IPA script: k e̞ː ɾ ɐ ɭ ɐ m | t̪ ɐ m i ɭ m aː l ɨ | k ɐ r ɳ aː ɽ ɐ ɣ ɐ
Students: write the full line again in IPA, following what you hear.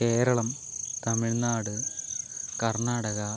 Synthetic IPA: k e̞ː ɾ ɐ ɭ ɐ m | t̪ ɐ m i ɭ n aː ɽ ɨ | k ɐ r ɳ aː ɽ ɐ ɣ ɐ